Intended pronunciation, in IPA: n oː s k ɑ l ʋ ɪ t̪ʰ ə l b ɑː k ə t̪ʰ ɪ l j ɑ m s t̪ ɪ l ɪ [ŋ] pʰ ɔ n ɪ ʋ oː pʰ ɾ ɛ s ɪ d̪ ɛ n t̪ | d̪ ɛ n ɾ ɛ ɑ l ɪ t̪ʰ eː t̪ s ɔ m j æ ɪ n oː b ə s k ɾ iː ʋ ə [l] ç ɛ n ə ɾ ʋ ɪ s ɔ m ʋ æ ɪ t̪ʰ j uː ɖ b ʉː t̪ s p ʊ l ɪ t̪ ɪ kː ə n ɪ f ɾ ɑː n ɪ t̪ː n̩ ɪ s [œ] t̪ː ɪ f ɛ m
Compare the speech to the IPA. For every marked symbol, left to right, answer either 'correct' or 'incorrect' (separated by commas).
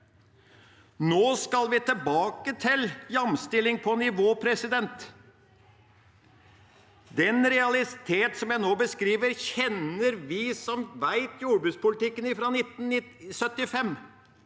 correct, incorrect, correct